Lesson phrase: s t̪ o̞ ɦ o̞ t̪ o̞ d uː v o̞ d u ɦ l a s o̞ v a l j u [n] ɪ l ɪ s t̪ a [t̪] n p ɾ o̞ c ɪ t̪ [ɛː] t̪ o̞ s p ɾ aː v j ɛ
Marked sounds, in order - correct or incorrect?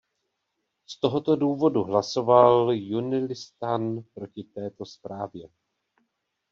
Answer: correct, incorrect, correct

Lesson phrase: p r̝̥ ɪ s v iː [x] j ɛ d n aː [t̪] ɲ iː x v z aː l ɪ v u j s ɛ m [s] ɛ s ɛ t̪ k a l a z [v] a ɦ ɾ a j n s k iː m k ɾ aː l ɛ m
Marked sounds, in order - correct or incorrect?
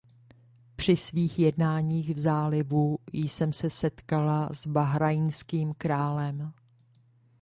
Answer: correct, incorrect, correct, incorrect

